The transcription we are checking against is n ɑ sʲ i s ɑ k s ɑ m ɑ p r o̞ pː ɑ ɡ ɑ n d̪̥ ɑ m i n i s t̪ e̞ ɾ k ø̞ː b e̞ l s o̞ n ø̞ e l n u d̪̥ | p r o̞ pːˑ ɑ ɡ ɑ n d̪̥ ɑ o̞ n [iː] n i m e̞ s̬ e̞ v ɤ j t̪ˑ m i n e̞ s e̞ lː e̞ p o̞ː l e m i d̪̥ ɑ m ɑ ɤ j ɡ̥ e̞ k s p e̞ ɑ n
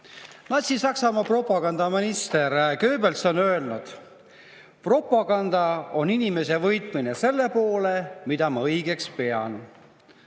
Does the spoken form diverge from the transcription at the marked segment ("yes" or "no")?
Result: yes